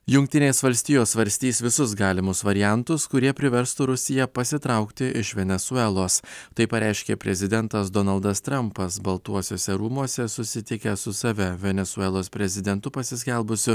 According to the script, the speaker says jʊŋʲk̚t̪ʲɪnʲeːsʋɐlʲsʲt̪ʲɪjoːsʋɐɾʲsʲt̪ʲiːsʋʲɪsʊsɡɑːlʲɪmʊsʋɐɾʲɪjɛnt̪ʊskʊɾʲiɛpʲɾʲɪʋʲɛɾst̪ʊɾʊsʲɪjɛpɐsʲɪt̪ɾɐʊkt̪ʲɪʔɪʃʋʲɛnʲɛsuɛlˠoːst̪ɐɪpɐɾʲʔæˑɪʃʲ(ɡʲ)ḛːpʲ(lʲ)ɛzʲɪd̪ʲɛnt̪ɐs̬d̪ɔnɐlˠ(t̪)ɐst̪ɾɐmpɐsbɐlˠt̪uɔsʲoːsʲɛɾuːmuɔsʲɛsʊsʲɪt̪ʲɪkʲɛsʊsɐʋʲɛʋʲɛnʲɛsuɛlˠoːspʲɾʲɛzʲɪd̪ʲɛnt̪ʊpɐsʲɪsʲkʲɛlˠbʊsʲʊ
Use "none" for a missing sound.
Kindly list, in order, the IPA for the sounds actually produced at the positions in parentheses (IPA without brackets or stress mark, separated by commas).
kʲ, ɾʲ, d̪